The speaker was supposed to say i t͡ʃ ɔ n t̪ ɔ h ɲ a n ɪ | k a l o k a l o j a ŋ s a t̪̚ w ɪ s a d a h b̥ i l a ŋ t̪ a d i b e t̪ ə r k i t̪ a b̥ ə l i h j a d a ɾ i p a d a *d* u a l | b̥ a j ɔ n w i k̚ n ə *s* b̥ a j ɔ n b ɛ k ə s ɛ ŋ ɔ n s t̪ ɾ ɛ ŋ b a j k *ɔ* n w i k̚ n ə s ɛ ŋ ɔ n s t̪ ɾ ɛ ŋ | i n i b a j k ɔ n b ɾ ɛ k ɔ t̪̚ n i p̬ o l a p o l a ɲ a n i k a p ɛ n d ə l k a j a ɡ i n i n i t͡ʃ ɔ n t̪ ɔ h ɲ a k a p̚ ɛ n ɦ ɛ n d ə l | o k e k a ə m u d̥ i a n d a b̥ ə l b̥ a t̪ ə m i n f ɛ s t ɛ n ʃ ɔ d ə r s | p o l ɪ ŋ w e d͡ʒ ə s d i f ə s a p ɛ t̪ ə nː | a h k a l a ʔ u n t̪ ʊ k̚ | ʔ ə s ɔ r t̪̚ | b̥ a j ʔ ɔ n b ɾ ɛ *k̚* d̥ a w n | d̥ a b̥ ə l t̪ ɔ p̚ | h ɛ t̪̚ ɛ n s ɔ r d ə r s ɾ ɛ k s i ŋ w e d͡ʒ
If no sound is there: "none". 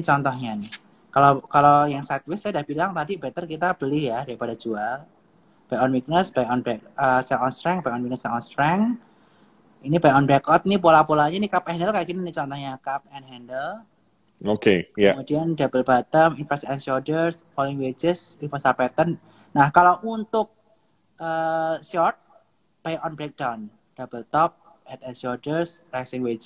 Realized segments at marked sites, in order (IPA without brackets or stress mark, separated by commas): d͡ʒ, s, ɔ, k̚